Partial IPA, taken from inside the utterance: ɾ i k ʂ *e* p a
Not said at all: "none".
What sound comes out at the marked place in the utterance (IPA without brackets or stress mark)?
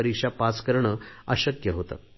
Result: a